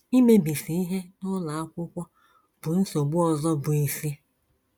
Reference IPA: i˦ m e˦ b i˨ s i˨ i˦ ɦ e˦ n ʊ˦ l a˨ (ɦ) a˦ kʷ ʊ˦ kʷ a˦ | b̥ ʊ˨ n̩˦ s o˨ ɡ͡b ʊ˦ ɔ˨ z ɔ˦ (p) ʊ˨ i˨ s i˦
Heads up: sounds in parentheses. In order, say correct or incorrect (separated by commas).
incorrect, incorrect